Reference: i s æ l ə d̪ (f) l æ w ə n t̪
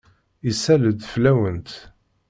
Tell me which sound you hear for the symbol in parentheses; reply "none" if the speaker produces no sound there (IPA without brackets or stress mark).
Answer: f